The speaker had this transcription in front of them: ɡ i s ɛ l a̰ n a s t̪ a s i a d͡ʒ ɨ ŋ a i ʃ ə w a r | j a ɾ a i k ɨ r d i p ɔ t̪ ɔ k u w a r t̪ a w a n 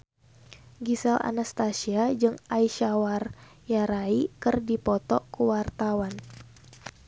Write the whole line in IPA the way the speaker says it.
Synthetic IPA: ɡ i s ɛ l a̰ n a s t̪ a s i a d͡ʒ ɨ ŋ a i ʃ a w a r | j a ɾ a i k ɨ r d i p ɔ t̪ ɔ k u w a r t̪ a w a n